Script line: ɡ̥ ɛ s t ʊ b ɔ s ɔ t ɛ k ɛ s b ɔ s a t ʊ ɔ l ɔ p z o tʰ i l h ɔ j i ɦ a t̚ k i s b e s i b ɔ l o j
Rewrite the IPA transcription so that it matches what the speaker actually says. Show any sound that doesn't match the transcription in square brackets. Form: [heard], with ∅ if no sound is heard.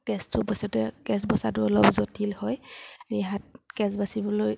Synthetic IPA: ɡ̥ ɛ s t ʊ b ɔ s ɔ t ɛ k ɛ s b ɔ s a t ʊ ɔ l ɔ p z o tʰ i l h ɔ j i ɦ a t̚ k [ɛ] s b [a] s i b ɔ l o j